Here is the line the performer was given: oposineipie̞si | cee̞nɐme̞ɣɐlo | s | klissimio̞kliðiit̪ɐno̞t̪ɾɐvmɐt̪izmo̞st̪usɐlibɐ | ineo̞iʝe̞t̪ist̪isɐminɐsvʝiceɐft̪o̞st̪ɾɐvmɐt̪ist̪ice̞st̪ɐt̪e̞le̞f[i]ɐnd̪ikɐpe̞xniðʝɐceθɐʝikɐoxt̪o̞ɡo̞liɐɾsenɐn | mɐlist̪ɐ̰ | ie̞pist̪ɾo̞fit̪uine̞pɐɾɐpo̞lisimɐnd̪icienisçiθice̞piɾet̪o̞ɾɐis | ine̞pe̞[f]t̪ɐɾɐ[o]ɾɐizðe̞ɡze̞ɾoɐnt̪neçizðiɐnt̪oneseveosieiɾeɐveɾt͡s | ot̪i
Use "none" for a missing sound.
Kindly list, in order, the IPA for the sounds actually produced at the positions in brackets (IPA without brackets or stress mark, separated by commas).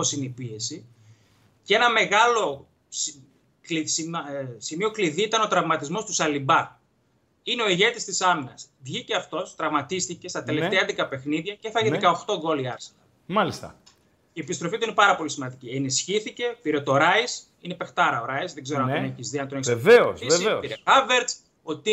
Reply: e, x, o